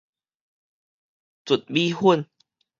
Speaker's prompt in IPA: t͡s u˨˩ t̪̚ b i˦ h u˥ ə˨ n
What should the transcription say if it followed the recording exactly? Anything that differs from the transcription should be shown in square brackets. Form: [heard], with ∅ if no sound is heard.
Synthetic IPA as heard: t͡s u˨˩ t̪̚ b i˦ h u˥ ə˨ n